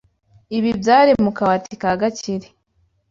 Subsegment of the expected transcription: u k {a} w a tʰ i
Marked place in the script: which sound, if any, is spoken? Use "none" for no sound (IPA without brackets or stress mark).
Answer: a